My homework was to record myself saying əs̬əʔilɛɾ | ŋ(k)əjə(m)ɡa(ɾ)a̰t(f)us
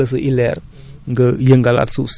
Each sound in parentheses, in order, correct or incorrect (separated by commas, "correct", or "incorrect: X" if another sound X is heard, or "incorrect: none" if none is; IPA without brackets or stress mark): incorrect: ɡ, incorrect: ŋ, incorrect: l, incorrect: s